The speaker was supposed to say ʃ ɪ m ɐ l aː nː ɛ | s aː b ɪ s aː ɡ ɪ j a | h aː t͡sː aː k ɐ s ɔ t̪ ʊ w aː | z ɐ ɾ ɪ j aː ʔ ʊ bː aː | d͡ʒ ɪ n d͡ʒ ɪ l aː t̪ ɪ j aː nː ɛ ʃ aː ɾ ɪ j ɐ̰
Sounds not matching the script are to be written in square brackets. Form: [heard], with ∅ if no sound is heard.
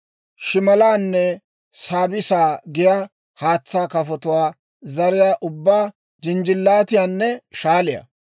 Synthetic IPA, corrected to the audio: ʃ ɪ m ɐ l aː nː ɛ | s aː b ɪ s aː ɡ ɪ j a | h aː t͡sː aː k ɐ [f] ɔ t̪ ʊ w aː | z ɐ ɾ ɪ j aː ʔ ʊ bː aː | d͡ʒ ɪ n d͡ʒ ɪ [lː] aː t̪ ɪ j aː nː ɛ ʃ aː [l] ɪ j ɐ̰